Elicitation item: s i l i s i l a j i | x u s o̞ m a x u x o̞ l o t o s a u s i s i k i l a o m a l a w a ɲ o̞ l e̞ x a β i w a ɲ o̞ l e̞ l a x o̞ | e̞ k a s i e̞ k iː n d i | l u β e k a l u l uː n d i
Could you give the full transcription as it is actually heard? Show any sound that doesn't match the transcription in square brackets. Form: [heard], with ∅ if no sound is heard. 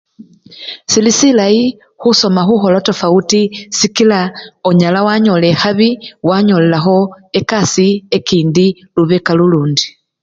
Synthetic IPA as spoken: s i l i s i l a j i | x u s o̞ m a x u x o̞ l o t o [f] a u [t] i s i k i l a o [ɲ] a l a w a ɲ o̞ l e̞ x a β i w a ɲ o̞ l e̞ l a x o̞ | e̞ k a s i e̞ k iː n d i | l u β e k a l u l uː n d i